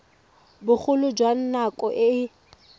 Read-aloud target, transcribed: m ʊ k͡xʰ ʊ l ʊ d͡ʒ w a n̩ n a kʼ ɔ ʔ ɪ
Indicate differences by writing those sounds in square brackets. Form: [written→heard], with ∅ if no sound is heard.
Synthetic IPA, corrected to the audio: [m→b] ʊ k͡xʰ ʊ l ʊ d͡ʒ w a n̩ n a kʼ ɔ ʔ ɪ